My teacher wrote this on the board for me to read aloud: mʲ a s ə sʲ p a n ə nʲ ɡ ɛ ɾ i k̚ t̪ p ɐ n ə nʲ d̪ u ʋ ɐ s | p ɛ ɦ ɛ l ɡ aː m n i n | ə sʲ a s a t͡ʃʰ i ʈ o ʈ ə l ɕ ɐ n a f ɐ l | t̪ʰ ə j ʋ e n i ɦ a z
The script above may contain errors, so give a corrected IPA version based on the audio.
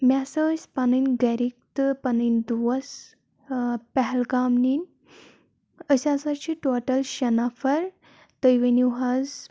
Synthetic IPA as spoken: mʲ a s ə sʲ p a n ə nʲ ɡ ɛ ɾ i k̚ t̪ p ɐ n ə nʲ d̪ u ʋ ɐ s | p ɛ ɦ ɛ l ɡ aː m n i n | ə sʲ a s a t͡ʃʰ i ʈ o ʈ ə l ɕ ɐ n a f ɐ ɾ | t̪ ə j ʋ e n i ɦ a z